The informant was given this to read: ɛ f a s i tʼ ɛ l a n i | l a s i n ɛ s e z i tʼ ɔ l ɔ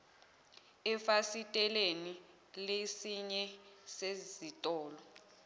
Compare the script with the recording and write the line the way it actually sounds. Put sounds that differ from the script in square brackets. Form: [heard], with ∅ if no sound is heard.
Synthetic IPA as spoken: ɛ f a s i tʼ ɛ l [e] n i | l [e] s i [ɲ] ɛ s e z i tʼ [ɔː] l ɔ